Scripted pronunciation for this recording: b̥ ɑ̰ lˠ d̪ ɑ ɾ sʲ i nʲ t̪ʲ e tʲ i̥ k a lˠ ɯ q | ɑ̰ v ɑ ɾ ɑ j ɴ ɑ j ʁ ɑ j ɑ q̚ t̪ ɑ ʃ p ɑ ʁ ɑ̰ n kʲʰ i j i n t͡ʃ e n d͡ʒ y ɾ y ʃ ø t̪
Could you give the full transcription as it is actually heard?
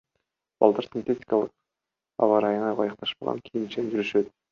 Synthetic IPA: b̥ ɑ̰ lˠ d̪ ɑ ɾ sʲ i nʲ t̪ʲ e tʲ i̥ k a lˠ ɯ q | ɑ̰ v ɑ ɾ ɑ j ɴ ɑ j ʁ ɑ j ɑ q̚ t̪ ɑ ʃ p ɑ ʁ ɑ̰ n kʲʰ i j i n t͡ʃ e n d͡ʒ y ɾ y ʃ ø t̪